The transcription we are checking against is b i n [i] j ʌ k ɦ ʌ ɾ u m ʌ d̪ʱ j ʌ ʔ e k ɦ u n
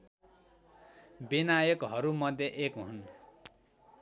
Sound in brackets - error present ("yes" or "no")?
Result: yes